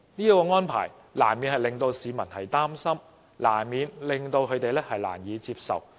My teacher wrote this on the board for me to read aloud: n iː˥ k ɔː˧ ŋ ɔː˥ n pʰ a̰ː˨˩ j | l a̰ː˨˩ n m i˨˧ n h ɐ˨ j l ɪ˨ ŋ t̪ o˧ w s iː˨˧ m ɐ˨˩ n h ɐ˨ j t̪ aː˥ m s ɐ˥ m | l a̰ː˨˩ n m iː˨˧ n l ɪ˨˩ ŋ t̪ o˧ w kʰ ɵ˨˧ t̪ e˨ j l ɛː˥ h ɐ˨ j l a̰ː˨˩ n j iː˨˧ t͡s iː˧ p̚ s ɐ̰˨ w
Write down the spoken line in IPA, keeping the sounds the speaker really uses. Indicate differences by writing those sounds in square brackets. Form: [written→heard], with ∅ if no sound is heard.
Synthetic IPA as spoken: n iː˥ k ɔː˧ ŋ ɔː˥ n pʰ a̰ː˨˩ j | l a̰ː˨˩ n m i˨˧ n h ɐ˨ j l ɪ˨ ŋ t̪ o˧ w s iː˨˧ m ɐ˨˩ n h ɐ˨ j t̪ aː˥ m s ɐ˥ m | l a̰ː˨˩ n m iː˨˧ n l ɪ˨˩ ŋ t̪ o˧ w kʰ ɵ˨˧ t̪ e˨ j l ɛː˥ h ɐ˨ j l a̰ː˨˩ n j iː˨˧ t͡s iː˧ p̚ s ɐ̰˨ w